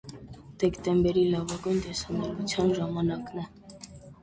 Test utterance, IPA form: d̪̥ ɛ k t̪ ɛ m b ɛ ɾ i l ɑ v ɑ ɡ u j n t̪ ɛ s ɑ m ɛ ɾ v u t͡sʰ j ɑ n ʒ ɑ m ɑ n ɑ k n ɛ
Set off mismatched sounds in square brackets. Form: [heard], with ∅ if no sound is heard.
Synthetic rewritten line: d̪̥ ɛ k t̪ ɛ m b ɛ ɾ i l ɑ v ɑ ɡ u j n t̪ ɛ s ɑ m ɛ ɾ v u t͡sʰ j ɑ n ʒ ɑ m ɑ n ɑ k n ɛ